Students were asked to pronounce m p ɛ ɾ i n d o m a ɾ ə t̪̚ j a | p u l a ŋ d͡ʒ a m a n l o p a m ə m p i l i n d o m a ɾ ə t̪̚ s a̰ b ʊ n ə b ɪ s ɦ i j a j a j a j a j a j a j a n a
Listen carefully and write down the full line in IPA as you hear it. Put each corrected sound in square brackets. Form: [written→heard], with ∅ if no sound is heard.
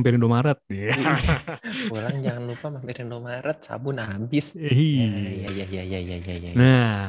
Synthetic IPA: m p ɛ ɾ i n d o m a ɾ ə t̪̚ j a | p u l a ŋ d͡ʒ a [m→ŋ] a n l [o→u] p a m [ə→a] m p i [l→ɾ] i n d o m a ɾ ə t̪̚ s a̰ b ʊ n [ə→a] b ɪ s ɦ i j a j a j a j a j a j a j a n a